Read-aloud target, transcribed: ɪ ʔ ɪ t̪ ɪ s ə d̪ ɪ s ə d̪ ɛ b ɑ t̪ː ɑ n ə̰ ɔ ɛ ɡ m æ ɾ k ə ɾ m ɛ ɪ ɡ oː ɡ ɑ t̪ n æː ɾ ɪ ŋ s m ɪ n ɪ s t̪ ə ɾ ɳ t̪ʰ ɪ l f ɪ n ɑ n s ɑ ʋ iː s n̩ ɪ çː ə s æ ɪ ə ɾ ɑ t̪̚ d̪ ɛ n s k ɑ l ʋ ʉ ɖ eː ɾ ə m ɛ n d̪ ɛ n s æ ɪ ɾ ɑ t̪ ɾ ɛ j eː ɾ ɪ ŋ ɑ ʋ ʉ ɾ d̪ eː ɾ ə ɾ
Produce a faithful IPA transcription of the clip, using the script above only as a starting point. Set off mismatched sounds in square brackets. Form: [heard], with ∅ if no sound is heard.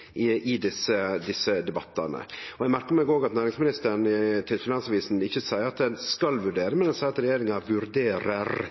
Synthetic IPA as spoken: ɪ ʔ ɪ [d̪] ɪ s ə d̪ ɪ s ə d̪ ɛ b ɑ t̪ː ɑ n ə̰ ɔ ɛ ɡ m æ ɾ k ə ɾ m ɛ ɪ ɡ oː ɡ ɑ t̪ n æː ɾ ɪ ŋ s m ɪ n ɪ s t̪ ə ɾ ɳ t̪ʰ ɪ l f ɪ n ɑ n s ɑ ʋ iː s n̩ ɪ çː ə s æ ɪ ə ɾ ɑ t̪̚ d̪ ɛ n s k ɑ l ʋ ʉ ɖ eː ɾ ə m ɛ n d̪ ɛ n s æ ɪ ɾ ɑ t̪ ɾ ɛ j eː ɾ ɪ ŋ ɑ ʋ ʉ ɾ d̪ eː ɾ ə ɾ